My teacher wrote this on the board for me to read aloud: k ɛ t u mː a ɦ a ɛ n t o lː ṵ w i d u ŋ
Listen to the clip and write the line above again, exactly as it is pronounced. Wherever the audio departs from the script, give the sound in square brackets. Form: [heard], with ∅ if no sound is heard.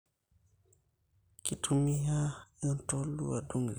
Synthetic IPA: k [i] t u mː [i] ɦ a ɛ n t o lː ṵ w [a] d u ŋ